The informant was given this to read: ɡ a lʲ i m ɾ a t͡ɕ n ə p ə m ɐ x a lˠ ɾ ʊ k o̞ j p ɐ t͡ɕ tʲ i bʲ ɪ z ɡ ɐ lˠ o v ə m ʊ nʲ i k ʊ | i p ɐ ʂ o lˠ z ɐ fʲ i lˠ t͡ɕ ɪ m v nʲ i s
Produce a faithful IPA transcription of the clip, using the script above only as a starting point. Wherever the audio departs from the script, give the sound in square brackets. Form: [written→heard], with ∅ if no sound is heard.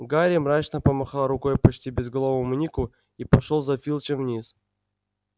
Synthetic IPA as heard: ɡ a [lʲ→ɾʲ] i m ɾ a t͡ɕ n ə p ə m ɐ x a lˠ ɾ ʊ k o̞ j p ɐ t͡ɕ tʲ i bʲ ɪ z ɡ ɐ lˠ o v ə m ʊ nʲ i k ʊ | i p ɐ ʂ o lˠ z ɐ fʲ i lˠ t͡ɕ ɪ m v nʲ i s